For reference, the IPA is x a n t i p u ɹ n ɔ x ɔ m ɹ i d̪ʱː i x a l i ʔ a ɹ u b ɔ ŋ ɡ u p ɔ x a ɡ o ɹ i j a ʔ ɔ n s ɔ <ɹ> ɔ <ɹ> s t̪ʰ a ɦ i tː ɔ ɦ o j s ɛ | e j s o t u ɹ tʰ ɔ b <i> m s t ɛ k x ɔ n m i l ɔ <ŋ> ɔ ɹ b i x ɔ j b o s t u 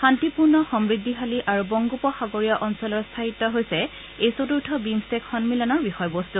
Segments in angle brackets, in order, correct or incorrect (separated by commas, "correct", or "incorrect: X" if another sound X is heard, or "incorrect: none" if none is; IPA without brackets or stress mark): incorrect: l, correct, correct, incorrect: n